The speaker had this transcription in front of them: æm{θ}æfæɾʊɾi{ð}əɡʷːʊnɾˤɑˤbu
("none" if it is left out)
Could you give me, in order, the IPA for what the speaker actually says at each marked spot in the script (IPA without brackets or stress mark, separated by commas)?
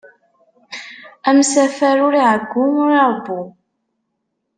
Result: s, ʕ